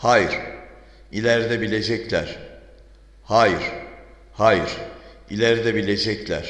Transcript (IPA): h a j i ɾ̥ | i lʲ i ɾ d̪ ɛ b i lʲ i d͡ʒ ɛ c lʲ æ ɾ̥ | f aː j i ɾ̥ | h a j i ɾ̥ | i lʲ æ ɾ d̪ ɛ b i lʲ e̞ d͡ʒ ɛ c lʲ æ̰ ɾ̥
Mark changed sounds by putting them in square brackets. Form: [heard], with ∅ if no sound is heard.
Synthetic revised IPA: h a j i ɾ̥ | i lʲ [æ] ɾ d̪ ɛ b i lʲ [e] d͡ʒ ɛ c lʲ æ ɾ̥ | [h] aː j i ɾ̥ | h a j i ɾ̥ | i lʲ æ ɾ d̪ ɛ b i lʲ e̞ d͡ʒ ɛ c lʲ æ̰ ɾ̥